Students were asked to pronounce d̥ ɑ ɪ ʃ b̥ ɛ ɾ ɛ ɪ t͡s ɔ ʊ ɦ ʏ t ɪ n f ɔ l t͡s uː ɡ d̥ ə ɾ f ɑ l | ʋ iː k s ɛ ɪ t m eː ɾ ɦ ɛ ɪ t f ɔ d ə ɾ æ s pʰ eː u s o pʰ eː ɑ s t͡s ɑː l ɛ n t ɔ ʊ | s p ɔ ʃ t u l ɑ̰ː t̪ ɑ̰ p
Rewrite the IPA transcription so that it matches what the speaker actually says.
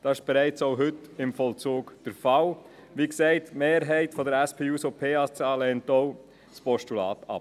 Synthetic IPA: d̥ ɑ ɪ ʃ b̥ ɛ ɾ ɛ ɪ t͡s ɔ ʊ ɦ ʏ t ɪ m f ɔ l t͡s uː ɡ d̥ ə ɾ f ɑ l | ʋ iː k s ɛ ɪ t m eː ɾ ɦ ɛ ɪ t f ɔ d ə ɾ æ s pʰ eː u s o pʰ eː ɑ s t͡s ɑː l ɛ n t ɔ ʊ | s p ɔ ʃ t u l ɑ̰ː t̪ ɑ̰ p